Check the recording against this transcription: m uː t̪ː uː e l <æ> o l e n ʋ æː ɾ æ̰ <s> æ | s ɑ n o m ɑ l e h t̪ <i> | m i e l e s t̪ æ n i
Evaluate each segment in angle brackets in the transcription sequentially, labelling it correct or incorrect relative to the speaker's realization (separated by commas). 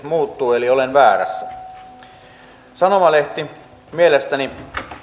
incorrect, incorrect, correct